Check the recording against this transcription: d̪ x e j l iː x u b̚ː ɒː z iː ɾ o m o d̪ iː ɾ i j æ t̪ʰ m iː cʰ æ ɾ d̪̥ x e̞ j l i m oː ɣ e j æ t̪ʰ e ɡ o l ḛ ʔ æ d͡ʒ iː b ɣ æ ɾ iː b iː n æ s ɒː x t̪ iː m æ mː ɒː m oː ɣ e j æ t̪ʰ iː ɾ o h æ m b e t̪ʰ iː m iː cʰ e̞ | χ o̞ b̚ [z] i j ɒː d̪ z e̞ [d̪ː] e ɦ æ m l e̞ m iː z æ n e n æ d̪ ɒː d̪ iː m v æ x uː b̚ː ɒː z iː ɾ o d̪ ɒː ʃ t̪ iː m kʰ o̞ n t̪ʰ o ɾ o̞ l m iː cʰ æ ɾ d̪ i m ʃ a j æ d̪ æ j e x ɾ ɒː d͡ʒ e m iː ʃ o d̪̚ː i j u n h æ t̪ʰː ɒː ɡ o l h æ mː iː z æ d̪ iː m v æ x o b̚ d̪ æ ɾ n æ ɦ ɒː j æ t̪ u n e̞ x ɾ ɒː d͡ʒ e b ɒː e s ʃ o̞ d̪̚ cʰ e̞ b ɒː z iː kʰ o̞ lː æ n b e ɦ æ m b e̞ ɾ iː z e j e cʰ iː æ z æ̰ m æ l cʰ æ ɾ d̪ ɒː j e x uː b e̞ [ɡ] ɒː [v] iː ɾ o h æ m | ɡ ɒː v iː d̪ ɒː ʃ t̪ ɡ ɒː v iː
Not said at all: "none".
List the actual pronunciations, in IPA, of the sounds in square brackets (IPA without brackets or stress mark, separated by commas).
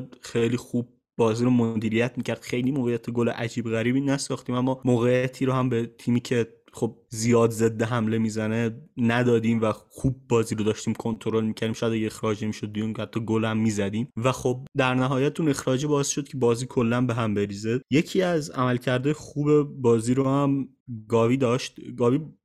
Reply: z, d̪ː, b, z